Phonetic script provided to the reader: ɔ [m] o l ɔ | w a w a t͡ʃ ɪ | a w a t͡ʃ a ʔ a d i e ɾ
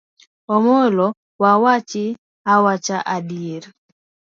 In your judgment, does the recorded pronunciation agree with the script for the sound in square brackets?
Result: yes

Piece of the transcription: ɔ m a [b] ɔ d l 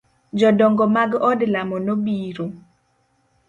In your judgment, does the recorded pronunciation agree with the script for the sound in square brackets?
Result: no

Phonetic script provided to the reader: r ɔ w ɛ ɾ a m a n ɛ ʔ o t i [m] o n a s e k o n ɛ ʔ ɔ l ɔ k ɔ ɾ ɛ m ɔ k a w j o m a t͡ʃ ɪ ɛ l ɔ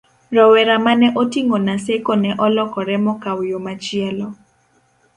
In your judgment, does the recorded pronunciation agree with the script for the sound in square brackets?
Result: no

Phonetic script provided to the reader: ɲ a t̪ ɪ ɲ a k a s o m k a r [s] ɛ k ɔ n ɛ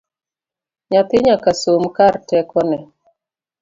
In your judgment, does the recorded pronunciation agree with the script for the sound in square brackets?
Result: no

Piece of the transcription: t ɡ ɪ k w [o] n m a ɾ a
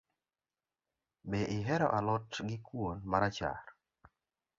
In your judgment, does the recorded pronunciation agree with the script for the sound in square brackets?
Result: yes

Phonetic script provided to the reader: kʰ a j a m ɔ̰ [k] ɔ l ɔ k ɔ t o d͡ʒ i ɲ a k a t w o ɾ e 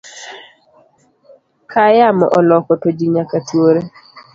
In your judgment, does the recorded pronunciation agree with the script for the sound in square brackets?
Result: no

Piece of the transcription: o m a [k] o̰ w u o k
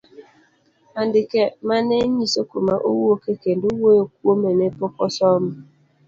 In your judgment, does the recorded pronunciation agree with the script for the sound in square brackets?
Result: no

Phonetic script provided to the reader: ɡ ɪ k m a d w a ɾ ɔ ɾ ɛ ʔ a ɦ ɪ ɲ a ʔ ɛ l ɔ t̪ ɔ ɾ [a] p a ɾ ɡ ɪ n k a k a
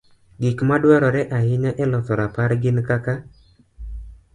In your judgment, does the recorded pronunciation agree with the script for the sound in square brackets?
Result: yes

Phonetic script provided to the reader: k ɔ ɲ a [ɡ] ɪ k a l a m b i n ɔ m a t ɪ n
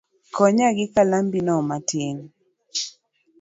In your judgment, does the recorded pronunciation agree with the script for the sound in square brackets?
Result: yes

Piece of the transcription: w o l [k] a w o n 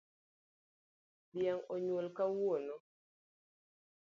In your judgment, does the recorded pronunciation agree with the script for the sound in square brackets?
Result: yes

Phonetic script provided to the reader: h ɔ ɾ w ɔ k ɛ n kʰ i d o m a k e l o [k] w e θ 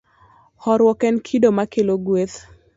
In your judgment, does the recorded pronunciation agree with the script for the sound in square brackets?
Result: no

